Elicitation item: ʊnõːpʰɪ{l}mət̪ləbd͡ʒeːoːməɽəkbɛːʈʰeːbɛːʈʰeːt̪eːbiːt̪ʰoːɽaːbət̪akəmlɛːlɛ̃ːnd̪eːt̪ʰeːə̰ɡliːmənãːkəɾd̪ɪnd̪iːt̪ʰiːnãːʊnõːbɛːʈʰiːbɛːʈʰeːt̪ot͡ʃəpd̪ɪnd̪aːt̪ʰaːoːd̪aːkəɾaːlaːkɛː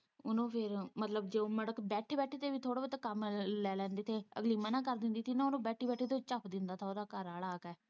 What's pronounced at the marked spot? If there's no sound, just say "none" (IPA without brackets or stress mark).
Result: ɾ